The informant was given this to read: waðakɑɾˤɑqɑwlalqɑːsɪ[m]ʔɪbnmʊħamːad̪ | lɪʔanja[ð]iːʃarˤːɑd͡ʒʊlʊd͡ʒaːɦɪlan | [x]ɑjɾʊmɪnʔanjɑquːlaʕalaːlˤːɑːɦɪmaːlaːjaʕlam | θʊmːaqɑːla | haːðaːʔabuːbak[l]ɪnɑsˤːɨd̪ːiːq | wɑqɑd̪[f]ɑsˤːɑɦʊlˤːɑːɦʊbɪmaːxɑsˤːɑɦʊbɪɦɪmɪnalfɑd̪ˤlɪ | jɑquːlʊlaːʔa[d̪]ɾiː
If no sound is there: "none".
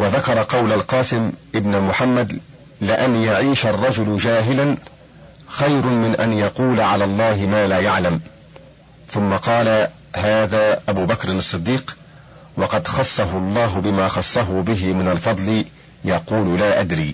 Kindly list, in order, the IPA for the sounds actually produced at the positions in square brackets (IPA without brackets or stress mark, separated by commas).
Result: m, ʕ, x, ɾ, x, d̪